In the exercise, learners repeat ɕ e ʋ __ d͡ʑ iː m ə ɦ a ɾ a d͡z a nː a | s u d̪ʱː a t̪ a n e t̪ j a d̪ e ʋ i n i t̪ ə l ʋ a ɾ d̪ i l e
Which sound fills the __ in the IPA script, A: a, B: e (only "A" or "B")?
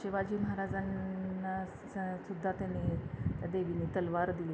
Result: A